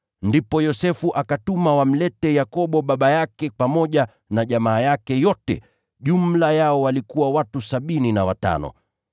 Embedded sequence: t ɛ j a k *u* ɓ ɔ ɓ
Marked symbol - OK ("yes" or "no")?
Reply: no